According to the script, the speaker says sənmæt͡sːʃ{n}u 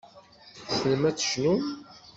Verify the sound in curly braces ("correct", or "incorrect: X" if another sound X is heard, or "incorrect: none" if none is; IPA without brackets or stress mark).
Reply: correct